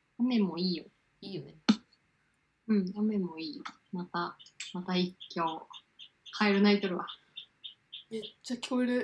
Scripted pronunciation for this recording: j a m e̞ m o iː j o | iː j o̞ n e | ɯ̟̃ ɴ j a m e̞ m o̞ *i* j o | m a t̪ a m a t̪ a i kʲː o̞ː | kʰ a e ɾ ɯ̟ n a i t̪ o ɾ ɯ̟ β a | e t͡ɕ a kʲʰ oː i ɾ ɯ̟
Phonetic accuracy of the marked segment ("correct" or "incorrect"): incorrect